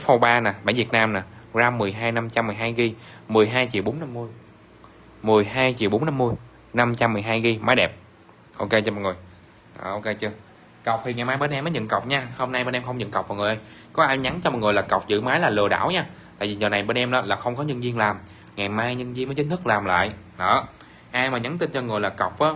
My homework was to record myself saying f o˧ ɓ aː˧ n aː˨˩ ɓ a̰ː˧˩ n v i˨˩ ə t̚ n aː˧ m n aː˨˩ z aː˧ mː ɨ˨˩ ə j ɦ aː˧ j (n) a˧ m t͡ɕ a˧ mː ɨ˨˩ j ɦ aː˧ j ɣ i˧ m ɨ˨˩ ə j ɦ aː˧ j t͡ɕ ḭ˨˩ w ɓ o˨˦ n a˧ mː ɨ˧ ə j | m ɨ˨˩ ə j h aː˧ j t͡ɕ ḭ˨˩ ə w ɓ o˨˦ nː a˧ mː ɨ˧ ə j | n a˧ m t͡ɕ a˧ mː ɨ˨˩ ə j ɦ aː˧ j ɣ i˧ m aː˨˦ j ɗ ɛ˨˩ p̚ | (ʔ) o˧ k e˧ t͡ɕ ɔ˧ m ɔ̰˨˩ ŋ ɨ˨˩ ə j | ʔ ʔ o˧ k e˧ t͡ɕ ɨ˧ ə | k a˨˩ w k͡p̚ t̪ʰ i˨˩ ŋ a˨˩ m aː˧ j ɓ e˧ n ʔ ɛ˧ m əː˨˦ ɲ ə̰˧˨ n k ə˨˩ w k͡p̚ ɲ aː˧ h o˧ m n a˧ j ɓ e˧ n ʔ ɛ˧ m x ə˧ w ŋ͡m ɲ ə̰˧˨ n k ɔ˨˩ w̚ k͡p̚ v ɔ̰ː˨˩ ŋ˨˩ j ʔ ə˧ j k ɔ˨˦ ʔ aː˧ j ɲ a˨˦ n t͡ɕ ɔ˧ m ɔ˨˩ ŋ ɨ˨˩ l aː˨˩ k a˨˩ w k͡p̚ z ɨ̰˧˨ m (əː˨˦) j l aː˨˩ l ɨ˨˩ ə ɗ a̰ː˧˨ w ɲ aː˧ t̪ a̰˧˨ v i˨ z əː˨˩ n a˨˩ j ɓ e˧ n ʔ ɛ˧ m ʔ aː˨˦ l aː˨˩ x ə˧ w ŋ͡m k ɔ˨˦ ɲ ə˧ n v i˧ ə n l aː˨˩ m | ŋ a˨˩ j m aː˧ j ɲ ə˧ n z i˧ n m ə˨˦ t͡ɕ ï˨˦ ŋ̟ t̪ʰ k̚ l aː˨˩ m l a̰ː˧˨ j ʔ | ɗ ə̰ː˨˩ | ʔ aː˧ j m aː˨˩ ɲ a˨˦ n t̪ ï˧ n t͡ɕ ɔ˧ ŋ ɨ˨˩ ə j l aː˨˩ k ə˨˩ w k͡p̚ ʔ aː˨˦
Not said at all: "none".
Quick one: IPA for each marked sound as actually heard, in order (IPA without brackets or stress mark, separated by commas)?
n, ʔ, aː˨˦